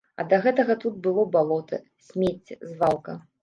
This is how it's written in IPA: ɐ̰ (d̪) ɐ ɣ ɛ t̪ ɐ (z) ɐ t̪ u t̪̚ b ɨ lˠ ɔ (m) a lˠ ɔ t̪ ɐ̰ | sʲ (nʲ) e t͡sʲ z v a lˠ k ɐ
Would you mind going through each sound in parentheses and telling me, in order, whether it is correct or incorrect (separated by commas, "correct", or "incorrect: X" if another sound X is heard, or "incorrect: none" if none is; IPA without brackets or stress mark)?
correct, incorrect: ɣ, incorrect: b, incorrect: mʲ